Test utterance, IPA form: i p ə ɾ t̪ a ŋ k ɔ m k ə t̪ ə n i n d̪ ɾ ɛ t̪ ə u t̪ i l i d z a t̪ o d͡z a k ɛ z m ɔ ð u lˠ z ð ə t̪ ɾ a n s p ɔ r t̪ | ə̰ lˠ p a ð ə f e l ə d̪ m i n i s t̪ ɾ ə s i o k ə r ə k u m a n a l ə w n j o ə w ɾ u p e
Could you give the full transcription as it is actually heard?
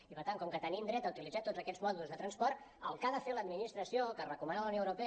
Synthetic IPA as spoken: i p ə ɾ t̪ a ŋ k ɔ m k ə t̪ ə n i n d̪ ɾ ɛ t̪ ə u t̪ i l i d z a t̪ o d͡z ə k ɛ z m ɔ ð u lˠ z ð ə t̪ ɾ ə n s p ɔ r t̪ | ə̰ lˠ k a ð ə f e l ə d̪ m i n i s t̪ ɾ ə s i o k ə r ə k u m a n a l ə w n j o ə w ɾ u p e